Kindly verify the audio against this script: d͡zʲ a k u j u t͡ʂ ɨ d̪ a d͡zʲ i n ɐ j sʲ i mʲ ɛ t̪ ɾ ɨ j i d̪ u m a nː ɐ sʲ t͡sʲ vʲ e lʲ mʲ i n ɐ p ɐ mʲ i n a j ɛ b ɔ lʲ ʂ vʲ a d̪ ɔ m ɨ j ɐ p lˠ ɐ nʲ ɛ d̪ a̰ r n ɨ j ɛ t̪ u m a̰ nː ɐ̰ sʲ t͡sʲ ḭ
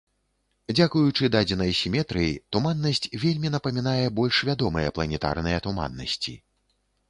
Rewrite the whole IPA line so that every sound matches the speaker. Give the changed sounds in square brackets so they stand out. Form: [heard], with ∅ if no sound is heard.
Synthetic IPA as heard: d͡zʲ a k u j u t͡ʂ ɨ d̪ a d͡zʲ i n ɐ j sʲ i mʲ ɛ t̪ ɾ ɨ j i [t̪] u m a nː ɐ sʲ t͡sʲ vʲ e lʲ mʲ i n ɐ p ɐ mʲ i n a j ɛ b ɔ lʲ ʂ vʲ a d̪ ɔ m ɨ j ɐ p lˠ ɐ nʲ ɛ [t̪] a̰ r n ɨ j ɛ t̪ u m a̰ nː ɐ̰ sʲ t͡sʲ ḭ